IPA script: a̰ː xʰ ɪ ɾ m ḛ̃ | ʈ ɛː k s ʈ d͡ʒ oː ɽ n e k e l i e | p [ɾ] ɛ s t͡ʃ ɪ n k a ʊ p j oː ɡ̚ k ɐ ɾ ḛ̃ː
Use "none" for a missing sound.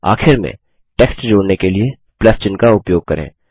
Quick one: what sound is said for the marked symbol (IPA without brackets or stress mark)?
l